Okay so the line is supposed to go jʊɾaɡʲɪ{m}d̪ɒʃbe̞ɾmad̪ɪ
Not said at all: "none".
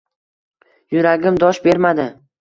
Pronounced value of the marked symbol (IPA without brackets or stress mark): m